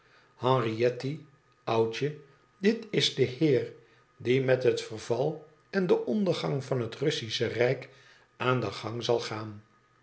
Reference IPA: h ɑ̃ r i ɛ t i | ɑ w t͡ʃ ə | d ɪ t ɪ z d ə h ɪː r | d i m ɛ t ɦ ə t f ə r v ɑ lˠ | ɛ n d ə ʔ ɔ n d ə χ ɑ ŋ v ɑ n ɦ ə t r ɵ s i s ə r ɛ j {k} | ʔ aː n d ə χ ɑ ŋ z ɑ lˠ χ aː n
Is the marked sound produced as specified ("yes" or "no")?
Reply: yes